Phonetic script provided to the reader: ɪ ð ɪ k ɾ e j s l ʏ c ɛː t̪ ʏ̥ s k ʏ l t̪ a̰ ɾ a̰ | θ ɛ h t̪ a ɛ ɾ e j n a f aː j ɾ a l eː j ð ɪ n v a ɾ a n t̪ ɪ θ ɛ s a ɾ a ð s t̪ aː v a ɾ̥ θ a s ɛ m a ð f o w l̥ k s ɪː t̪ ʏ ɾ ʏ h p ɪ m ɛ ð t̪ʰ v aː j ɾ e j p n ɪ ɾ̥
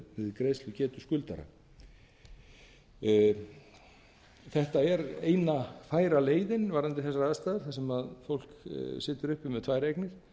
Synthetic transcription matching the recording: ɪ ð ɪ k ɾ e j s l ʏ c ɛː t̪ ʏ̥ s k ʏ l t̪ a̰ ɾ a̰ | θ ɛ h t̪ a ɛ ɾ e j n a f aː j ɾ a l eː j ð ɪ n v a ɾ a n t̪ ɪ θ ɛ s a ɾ a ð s t̪ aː ð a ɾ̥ θ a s ɛ m a ð f o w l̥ k s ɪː t̪ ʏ ɾ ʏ h p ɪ m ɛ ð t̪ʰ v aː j ɾ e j k n ɪ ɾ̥